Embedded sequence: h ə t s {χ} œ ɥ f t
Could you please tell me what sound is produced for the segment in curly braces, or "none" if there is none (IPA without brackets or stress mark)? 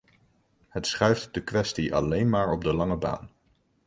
χ